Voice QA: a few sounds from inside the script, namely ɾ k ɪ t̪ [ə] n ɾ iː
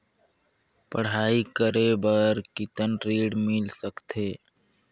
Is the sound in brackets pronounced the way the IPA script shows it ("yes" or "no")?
yes